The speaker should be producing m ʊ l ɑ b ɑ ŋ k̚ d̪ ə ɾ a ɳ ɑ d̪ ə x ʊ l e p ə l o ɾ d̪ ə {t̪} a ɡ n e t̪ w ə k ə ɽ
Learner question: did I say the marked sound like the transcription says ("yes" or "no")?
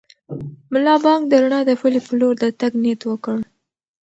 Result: yes